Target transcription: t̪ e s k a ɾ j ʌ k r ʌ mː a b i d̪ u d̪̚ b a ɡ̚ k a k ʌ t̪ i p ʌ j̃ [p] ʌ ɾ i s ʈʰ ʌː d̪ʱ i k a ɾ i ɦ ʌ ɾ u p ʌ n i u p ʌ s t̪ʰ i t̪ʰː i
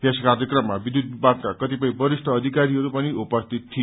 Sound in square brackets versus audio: incorrect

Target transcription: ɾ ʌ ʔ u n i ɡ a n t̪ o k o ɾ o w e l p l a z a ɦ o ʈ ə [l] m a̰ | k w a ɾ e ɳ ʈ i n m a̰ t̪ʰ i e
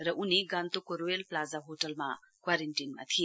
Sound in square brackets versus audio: correct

